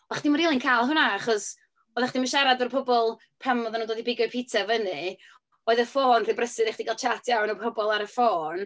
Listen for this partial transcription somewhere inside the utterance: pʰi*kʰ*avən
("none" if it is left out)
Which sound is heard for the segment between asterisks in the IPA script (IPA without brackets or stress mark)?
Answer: tʰ